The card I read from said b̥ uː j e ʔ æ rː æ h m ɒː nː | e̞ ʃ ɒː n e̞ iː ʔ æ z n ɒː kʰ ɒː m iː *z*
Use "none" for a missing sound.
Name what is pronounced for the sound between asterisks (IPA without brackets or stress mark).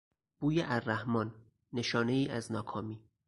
none